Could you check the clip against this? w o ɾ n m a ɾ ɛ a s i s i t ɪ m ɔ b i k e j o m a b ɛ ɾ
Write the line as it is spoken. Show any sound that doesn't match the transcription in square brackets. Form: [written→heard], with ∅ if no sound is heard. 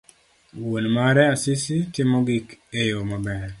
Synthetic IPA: w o [ɾ→∅] n m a ɾ ɛ a s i s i t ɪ m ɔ [b→ɡ] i k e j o m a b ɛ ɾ